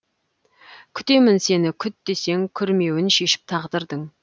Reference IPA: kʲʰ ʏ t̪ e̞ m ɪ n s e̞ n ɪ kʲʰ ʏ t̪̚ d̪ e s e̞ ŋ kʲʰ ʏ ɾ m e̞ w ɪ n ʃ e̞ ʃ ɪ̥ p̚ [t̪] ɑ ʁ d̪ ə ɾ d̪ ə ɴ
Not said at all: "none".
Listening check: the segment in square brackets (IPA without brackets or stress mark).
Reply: t̪ʰ